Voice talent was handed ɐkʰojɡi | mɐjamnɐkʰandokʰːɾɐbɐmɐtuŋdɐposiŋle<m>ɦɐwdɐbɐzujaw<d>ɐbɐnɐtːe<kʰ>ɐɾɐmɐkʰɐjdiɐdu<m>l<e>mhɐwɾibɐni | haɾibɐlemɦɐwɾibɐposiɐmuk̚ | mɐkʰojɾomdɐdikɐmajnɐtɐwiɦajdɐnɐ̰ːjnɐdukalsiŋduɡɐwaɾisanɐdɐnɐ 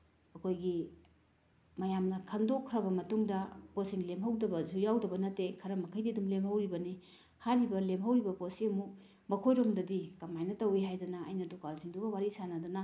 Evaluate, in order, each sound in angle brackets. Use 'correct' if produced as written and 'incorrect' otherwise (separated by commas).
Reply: correct, correct, correct, correct, correct